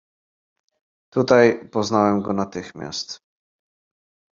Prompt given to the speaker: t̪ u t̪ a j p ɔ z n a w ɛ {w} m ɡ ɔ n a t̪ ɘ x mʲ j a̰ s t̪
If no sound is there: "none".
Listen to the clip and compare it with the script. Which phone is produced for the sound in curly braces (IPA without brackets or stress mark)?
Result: none